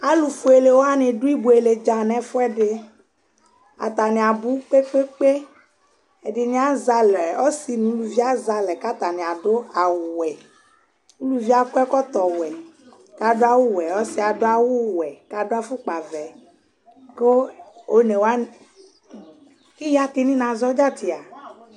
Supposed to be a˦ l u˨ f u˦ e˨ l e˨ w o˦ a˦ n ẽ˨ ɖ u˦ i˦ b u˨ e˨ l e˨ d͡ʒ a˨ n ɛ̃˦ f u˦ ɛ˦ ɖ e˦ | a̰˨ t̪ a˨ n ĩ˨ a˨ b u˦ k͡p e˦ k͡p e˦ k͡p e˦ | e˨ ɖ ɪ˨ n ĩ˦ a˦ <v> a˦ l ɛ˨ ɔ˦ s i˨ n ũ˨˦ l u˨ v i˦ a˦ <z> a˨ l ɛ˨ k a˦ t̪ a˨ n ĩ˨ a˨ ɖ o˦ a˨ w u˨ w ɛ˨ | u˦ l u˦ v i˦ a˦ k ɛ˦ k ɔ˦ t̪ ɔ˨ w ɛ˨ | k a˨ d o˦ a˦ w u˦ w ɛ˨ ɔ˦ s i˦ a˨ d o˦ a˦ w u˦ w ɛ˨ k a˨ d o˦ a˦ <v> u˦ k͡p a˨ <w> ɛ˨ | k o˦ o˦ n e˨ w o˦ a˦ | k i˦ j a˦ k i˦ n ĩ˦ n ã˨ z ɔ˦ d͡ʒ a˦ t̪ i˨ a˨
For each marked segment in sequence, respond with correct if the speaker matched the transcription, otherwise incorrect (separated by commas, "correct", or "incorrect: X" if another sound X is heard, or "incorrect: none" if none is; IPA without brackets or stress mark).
incorrect: z, correct, incorrect: f, incorrect: v